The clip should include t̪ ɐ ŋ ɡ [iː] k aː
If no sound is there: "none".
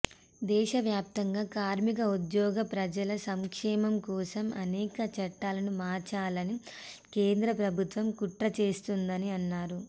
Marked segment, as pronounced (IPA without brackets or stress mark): aː